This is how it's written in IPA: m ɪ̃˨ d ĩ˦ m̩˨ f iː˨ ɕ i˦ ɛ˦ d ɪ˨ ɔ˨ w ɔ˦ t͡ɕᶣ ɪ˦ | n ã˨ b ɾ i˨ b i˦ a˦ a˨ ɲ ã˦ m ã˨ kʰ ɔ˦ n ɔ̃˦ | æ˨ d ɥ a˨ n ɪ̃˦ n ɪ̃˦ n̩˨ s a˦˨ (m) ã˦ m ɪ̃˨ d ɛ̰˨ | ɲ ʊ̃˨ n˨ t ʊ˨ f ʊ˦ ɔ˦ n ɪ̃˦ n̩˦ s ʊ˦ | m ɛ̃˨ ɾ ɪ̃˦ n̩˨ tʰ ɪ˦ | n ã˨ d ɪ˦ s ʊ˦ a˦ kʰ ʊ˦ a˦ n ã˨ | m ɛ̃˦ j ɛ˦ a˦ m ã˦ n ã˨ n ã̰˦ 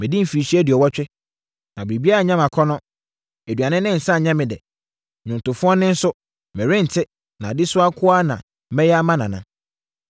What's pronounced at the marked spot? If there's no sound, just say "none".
ɲ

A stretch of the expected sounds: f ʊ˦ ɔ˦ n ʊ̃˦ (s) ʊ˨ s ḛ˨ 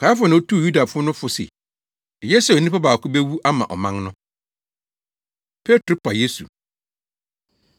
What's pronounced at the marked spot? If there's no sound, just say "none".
f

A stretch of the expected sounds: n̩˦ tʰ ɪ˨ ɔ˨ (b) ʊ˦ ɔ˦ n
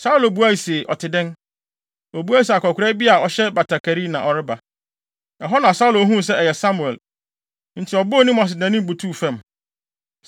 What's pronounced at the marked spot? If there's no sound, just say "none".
b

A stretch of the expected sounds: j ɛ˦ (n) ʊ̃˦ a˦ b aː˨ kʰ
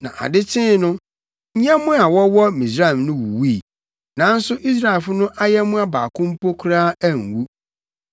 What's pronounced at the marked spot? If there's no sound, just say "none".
m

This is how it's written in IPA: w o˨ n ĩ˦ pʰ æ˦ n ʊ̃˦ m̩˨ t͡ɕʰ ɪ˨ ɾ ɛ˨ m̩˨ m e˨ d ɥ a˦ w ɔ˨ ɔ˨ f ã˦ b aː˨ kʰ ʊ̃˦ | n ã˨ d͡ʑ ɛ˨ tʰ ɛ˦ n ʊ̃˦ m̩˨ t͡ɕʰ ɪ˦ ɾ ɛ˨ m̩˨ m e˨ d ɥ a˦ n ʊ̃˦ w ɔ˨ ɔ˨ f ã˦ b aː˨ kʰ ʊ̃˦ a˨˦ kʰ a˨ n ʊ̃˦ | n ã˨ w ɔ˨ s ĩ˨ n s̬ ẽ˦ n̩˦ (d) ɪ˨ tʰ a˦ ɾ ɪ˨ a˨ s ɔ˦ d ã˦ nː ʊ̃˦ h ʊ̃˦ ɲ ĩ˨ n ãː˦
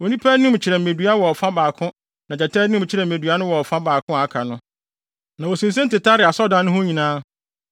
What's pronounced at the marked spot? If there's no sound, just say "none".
t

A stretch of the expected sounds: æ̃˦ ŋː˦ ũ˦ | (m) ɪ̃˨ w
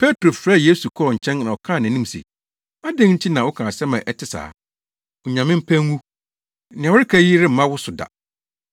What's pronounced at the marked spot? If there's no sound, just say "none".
n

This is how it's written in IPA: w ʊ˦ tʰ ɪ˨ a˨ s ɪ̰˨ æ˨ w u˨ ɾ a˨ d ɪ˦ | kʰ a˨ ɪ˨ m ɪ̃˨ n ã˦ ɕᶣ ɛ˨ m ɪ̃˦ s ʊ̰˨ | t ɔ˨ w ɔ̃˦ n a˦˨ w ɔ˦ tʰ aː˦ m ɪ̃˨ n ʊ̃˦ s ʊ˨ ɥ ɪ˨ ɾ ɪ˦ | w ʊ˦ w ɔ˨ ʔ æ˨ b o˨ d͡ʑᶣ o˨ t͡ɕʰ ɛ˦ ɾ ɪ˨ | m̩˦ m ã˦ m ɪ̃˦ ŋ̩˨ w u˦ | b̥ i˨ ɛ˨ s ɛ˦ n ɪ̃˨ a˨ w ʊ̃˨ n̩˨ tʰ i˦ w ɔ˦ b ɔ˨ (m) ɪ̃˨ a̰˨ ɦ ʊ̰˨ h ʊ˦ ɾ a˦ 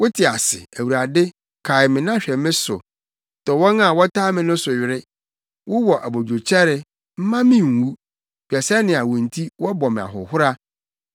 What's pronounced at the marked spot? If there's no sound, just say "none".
m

